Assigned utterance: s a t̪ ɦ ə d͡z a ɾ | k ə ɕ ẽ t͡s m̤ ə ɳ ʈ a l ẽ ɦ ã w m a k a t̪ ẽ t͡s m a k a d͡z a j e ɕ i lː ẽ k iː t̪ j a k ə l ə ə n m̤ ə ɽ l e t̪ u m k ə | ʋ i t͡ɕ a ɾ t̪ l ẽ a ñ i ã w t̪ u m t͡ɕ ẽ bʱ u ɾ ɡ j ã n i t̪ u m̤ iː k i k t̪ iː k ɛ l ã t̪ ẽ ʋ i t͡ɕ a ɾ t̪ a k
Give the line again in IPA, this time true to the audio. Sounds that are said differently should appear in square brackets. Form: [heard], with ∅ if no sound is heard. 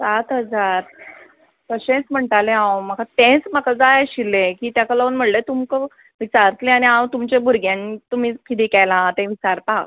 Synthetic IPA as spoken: s a t̪ ɦ ə d͡z a ɾ | k ə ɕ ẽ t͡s m̤ ə ɳ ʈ a l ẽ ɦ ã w m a k a t̪ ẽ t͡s m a k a d͡z a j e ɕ i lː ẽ k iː t̪ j a k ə l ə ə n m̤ ə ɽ l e t̪ u m k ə | ʋ i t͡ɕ a ɾ t̪ l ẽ a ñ i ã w t̪ u m t͡ɕ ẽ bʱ u ɾ ɡ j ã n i t̪ u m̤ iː k i [∅] t̪ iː k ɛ l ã t̪ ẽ ʋ i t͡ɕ a ɾ t̪ a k